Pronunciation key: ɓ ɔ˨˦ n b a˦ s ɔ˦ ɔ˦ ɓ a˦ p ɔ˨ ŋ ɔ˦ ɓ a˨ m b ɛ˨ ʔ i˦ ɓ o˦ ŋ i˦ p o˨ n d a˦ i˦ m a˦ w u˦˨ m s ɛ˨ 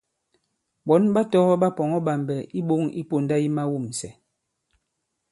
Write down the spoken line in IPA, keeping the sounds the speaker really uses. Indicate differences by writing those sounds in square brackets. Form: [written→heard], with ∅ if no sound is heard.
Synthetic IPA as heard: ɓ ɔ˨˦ n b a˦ [s→t] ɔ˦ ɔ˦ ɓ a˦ p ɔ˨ ŋ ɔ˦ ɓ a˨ m b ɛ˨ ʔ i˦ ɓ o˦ ŋ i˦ p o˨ n d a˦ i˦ m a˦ w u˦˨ m s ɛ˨

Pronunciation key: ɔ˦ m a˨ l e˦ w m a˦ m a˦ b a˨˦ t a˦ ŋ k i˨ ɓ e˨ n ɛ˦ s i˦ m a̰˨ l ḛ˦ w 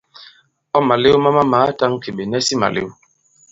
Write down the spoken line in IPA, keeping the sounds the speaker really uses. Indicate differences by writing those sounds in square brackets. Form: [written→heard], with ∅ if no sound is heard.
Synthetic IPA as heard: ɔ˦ m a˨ l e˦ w m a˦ m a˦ [b→m] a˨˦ t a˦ ŋ k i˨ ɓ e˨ n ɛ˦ s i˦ m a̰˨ l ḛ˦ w

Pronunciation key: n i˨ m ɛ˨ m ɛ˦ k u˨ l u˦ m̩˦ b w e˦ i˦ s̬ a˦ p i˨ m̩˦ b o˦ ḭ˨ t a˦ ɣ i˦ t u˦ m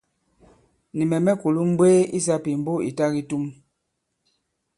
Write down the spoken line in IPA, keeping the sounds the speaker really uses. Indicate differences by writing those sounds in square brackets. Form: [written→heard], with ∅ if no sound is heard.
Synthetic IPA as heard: n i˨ m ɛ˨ m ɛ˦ k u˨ l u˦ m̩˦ b w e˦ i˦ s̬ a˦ p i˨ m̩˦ b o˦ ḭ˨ t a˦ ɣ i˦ t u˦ m

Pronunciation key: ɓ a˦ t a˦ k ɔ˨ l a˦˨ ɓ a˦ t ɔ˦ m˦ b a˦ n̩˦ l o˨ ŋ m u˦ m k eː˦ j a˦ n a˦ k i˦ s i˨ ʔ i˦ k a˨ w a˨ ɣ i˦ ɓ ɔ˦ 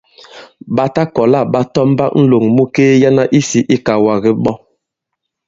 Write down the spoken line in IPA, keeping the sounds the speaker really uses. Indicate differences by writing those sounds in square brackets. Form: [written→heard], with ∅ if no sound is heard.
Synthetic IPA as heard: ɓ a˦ t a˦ k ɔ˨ l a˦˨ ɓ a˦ t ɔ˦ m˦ b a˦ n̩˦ l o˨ ŋ m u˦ [m→∅] k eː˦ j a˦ n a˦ [k→ʔ] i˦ s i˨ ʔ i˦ k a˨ w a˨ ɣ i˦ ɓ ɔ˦

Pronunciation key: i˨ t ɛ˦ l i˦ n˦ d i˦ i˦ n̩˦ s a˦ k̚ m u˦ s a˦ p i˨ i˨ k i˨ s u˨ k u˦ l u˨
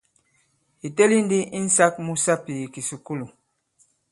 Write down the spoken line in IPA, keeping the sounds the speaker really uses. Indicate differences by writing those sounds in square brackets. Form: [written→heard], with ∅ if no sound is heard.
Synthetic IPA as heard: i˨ t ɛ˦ l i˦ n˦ d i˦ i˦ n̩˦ s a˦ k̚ m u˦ s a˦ p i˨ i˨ k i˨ s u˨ k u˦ l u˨

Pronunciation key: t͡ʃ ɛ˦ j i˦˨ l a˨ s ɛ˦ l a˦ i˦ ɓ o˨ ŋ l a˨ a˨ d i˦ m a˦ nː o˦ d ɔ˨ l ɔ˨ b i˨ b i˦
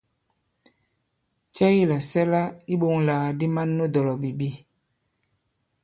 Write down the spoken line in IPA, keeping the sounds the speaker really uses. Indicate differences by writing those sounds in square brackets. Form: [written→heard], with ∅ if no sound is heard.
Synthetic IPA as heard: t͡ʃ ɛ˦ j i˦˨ l a˨ s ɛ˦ l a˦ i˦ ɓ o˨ ŋ l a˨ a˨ d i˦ m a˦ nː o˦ d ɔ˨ l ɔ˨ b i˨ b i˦

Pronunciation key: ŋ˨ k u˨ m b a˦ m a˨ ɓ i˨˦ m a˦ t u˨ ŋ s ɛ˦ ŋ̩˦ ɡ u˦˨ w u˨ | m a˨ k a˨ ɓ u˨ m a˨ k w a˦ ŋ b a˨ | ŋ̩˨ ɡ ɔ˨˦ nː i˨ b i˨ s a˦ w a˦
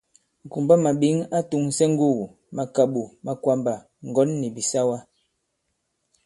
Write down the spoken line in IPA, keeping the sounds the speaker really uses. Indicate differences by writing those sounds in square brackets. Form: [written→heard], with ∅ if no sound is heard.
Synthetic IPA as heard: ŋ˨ k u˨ m b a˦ m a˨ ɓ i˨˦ [m→ŋ] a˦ t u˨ ŋ s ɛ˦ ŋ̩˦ ɡ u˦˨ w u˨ | m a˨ k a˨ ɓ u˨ m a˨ k w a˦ [ŋ→m] b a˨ | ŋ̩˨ ɡ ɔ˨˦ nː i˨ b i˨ s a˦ w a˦

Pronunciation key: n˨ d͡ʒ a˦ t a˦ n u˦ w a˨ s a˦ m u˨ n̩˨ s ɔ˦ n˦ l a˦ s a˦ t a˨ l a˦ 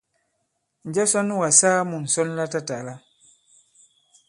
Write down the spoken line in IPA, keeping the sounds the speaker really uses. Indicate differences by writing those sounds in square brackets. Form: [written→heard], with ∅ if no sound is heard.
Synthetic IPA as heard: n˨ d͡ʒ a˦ [t→s] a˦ n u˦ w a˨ s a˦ m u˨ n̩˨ s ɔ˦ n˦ l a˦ [s→t] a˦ t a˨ l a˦

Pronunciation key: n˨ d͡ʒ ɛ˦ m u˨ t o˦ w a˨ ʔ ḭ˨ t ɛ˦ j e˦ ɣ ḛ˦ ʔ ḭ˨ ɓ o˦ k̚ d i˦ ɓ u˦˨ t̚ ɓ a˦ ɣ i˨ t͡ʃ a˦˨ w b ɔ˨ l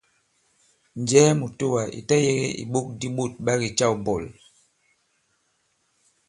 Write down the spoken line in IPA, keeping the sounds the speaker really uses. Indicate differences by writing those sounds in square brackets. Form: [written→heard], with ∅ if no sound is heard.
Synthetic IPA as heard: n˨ d͡ʒ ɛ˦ m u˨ t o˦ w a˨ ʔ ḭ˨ t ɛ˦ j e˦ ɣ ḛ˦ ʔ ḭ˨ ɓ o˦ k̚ d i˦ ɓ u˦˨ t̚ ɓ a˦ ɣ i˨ t͡ʃ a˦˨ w b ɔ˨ l

